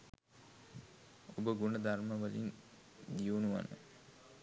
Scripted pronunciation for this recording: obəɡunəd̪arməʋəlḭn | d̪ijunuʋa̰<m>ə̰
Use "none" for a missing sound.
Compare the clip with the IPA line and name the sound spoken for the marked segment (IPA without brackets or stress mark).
n